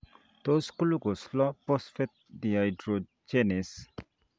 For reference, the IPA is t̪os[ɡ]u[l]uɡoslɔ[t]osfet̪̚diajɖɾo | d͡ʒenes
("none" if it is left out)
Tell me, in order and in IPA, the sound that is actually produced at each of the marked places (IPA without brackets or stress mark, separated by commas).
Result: k, l, p